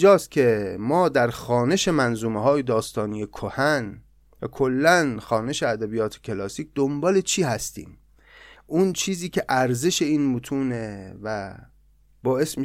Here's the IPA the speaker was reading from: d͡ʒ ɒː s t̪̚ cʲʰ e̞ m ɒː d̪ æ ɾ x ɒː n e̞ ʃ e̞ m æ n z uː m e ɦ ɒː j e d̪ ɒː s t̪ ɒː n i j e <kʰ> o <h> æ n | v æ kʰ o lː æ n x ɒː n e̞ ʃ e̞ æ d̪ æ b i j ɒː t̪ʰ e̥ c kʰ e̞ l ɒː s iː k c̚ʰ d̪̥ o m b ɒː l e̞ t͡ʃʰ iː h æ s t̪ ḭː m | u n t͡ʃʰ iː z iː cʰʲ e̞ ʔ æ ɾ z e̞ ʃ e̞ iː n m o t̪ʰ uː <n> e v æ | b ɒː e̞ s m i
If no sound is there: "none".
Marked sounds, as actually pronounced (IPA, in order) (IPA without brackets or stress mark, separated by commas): kʰ, h, n